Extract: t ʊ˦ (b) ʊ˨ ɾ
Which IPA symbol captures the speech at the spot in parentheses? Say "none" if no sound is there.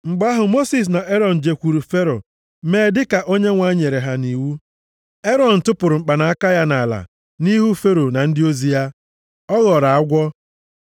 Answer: p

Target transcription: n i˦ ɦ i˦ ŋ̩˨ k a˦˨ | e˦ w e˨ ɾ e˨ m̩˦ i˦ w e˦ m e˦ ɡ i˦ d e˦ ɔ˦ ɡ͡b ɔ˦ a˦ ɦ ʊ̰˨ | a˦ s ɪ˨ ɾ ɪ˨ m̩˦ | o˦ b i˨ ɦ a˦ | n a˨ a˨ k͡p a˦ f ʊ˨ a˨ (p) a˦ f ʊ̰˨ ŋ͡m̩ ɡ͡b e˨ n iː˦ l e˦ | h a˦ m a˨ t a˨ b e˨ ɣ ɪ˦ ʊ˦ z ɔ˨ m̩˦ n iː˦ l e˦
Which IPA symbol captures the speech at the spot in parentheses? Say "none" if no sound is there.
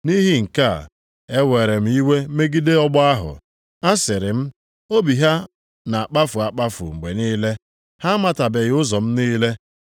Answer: k͡p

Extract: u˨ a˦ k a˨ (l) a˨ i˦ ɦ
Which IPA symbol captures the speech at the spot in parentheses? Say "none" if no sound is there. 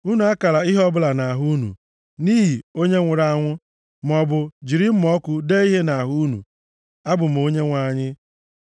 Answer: l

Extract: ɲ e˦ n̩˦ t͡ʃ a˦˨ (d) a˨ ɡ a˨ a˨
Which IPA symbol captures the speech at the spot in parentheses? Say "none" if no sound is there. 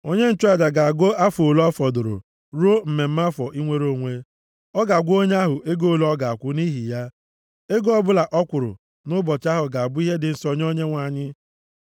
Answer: d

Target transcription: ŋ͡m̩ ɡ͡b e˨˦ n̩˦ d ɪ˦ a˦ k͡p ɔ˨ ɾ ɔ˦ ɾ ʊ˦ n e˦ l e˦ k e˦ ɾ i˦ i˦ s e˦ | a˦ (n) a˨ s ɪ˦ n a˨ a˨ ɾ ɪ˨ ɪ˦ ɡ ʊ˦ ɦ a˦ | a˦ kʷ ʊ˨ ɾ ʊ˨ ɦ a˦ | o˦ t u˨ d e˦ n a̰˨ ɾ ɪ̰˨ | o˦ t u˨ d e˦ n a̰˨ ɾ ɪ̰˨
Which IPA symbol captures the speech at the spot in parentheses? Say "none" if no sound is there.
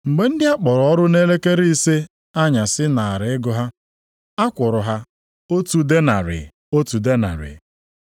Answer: ɲ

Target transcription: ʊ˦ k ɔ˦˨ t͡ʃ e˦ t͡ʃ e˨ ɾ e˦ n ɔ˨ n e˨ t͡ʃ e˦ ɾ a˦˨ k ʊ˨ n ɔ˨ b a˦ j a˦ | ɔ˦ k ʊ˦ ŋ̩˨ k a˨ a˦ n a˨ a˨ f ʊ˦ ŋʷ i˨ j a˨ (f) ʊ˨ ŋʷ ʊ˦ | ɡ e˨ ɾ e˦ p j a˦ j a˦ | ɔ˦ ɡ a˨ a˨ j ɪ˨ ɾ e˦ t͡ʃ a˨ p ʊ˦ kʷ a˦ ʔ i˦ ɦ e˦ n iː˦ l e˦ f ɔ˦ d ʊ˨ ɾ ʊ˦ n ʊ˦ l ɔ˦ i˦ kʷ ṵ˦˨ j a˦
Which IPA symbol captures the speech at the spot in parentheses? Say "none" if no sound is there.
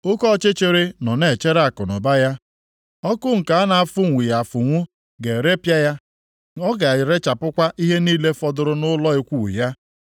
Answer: f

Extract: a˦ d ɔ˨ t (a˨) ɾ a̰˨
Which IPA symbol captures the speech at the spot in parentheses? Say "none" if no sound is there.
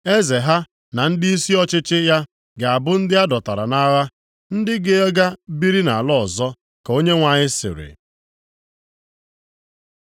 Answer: a˨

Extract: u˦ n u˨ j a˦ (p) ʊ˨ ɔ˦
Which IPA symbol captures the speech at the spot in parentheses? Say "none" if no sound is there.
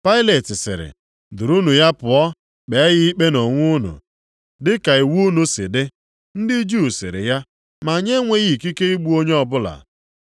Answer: p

